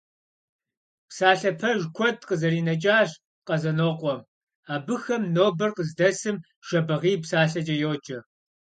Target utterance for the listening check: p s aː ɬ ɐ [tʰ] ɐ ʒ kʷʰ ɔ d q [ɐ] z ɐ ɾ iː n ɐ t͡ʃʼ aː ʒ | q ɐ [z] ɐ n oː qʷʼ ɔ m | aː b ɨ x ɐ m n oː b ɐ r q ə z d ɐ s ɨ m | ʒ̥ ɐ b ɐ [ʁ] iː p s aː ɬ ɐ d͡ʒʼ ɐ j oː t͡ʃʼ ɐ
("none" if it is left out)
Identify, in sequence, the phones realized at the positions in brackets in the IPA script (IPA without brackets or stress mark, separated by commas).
pʰ, ə, z, ʁ